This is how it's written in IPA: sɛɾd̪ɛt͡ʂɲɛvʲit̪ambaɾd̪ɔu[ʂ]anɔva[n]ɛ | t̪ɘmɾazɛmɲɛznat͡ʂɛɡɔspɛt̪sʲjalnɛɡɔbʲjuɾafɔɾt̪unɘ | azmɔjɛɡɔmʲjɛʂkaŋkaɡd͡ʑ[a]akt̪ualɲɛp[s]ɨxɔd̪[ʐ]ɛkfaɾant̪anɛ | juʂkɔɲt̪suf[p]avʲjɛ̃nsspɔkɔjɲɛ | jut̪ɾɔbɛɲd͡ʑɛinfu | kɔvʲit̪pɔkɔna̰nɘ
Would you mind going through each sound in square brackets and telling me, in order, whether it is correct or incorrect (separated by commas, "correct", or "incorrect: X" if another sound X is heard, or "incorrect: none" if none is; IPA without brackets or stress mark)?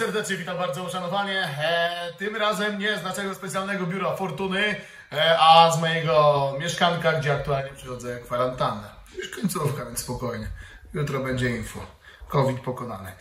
correct, incorrect: ɲ, incorrect: ɛ, incorrect: ʂ, incorrect: z, incorrect: k